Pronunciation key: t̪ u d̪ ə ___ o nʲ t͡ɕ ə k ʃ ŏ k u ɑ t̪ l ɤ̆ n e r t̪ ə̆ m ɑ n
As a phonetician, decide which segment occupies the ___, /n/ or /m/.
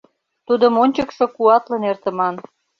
m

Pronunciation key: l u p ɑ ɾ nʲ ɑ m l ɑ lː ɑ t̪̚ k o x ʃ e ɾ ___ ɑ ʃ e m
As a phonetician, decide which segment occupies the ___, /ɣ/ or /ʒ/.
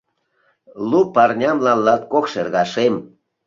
ɣ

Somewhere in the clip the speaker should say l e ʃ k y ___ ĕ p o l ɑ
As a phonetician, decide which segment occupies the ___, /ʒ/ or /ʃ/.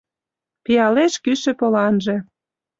ʃ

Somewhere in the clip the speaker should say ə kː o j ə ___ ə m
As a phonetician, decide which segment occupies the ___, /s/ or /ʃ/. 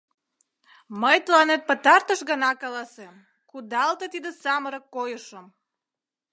ʃ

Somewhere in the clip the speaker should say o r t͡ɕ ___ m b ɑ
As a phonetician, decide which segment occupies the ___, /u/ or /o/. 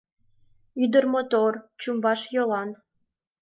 u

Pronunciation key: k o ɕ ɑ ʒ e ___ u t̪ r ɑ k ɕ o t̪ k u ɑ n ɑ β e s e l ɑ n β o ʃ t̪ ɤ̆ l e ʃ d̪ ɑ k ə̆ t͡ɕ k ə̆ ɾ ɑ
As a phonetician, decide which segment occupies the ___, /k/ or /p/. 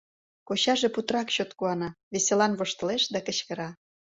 p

